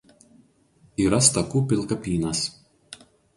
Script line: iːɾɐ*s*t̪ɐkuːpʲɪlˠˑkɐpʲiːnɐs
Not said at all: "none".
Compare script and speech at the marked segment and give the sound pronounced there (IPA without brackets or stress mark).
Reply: s